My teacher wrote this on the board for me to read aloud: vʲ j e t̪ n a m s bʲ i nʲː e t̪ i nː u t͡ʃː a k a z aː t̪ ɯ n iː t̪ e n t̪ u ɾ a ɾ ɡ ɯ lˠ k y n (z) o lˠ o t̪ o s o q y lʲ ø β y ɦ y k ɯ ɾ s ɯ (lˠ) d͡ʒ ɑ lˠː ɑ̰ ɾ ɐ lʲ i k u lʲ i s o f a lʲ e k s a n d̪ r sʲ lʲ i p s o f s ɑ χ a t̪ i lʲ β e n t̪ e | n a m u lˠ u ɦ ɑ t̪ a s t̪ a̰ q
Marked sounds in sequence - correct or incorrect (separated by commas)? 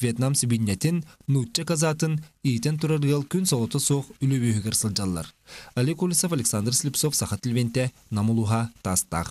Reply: incorrect, correct